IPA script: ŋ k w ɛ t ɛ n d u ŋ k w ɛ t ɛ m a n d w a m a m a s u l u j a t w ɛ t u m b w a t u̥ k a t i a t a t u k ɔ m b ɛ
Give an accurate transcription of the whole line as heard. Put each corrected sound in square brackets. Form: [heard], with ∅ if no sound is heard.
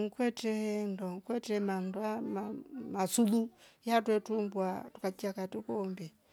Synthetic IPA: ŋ k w ɛ t ɛ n d [ɔ] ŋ k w ɛ t ɛ m a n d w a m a m a s u l u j a t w ɛ t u m b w a t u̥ k a [t͡ʃ] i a [k] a t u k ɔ m b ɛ

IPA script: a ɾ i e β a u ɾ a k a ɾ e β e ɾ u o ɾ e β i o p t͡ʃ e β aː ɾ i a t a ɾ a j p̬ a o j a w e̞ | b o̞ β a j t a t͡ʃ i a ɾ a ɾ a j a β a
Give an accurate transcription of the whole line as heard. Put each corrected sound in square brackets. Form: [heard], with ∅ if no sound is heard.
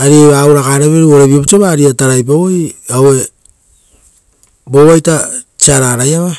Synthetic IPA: a ɾ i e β a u ɾ a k a ɾ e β e ɾ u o ɾ e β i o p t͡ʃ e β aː ɾ i a t a ɾ a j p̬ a o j a w e̞ | b o̞ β a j t a t͡ʃ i a ɾ a ɾ a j a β a

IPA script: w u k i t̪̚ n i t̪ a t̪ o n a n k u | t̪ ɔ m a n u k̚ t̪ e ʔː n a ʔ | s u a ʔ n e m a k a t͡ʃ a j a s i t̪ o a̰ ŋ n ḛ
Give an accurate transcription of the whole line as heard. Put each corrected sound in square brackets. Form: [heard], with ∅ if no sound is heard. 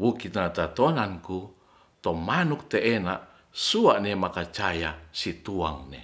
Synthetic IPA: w u k i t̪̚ n [a] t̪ a t̪ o n a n k u | t̪ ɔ m a n u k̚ t̪ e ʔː n a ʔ | s u a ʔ n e m a k a t͡ʃ a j a s i t̪ [u] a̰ ŋ n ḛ

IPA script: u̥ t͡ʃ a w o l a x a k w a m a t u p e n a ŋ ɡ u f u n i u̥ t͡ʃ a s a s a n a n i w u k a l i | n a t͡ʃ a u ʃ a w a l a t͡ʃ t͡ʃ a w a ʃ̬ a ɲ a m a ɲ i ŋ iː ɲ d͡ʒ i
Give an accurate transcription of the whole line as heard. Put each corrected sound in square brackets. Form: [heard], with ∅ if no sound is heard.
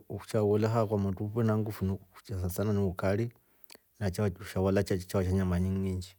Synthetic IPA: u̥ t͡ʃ a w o l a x a k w a m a t u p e n a ŋ ɡ u f u n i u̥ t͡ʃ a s a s a n a n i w u k a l i | n a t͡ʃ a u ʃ a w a l a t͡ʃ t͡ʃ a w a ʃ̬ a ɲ a m a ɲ i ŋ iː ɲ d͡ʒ i

